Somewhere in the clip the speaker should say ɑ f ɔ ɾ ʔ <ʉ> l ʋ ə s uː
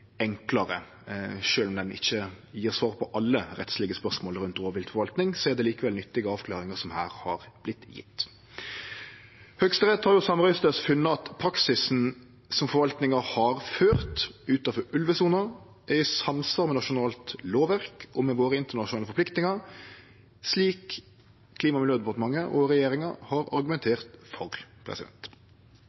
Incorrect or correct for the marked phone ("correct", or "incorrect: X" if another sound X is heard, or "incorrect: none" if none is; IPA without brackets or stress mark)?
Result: correct